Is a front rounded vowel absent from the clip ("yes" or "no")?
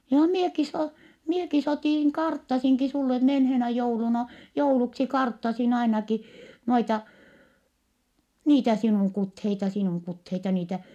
yes